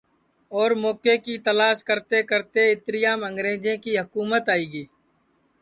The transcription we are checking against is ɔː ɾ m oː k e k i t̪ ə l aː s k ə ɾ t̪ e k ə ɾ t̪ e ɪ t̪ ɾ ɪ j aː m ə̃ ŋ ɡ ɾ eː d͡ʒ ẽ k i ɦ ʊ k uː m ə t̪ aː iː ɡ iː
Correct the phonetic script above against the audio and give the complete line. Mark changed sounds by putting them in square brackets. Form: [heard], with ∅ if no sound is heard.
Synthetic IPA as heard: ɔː ɾ m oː k e k i t̪ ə l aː [ʃ] k ə ɾ t̪ e k ə ɾ t̪ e ɪ t̪ ɾ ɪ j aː m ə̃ ŋ ɡ ɾ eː d͡ʒ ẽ k i ɦ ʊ k uː m ə t̪ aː iː ɡ iː